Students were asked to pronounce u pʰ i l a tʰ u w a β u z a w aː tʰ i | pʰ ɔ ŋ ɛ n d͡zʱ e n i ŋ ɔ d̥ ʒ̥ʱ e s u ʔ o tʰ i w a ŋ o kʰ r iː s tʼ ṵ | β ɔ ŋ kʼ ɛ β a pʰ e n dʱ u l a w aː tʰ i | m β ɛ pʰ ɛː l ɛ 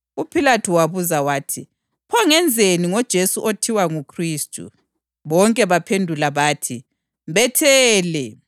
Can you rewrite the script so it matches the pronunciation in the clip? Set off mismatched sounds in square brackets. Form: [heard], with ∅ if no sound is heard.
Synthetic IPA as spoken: u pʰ i l a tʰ u w a β u z a w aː tʰ i | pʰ ɔ ŋ ɛ n d͡zʱ e n i ŋ ɔ d̥ ʒ̥ʱ e s u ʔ o tʰ i w a ŋ [u] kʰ r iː s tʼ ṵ | β ɔ ŋ kʼ ɛ β a pʰ e n dʱ u l a [β] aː tʰ i | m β ɛ [tʰ] ɛː l ɛ

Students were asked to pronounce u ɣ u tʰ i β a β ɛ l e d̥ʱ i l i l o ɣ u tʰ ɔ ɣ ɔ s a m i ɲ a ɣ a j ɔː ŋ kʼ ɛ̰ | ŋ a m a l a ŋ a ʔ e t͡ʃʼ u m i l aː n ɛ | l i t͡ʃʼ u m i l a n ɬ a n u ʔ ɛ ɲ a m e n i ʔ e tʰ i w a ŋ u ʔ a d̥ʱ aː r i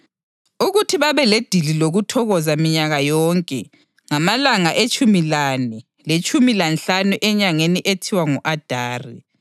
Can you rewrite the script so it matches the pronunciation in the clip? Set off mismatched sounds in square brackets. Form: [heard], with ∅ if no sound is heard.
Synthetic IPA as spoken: u ɣ u tʰ i β a β ɛ l e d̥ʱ i l i l o ɣ u tʰ ɔ ɣ ɔ [z] a m i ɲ a ɣ a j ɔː ŋ kʼ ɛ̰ | ŋ a m a l a ŋ a ʔ e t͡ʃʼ u m i l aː n ɛ | l [e] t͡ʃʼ u m i l a n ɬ a n u ʔ ɛ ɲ a [ŋ] e n i ʔ e tʰ i w a ŋ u ʔ a d̥ʱ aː r i

